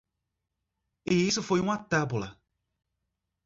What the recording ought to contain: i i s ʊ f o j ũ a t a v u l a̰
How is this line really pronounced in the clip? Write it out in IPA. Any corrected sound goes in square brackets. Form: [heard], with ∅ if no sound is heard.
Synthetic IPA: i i s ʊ f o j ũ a t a [b] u l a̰